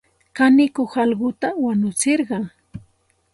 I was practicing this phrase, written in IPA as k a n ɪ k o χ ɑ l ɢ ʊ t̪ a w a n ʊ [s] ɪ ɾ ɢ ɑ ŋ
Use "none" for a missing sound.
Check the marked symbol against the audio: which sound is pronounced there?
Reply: t͡s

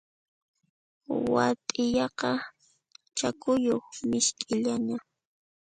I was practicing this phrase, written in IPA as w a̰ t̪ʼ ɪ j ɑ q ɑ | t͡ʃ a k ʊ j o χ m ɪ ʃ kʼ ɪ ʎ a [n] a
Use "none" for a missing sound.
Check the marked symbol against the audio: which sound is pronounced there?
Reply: ɲ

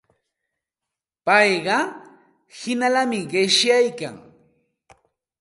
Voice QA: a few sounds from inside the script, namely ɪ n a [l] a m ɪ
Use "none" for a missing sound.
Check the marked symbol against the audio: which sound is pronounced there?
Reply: l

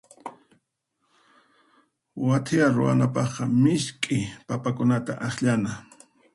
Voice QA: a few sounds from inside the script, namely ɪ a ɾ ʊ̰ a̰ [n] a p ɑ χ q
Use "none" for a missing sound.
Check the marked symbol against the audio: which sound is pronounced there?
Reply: n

